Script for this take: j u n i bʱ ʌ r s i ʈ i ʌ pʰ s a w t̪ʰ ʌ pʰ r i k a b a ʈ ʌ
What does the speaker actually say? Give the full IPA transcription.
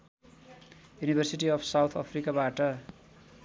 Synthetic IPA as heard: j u n i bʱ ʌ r s i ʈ i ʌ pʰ s a w t̪ʰ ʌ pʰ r i k a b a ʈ ʌ